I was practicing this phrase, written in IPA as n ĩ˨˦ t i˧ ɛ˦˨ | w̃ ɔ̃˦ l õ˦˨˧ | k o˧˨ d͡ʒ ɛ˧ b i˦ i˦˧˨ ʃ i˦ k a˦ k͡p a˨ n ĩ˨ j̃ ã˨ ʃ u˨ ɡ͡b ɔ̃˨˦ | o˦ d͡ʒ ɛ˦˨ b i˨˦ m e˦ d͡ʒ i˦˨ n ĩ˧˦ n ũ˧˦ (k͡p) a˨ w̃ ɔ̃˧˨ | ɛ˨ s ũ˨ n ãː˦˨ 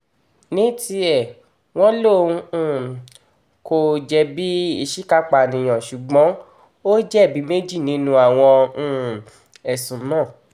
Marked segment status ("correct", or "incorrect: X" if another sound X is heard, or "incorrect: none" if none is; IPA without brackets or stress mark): incorrect: none